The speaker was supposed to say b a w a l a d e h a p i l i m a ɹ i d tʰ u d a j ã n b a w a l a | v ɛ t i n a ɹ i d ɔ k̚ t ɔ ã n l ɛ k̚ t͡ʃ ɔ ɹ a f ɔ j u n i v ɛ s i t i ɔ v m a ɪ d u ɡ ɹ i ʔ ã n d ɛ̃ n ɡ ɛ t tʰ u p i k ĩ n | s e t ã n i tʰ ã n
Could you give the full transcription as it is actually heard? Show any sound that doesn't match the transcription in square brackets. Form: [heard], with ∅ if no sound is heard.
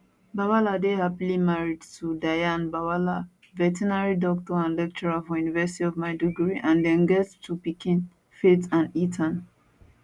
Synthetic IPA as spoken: b a w a l a d e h a p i l i m a ɹ i d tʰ u d a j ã n b a w a l a | v ɛ t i n a ɹ i d ɔ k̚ t ɔ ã n l ɛ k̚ t͡ʃ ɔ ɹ a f ɔ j u n i v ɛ s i t i ɔ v m a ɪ d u ɡ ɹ i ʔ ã n d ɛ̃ n ɡ ɛ t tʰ u p i k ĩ n | [f] e t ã n i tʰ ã n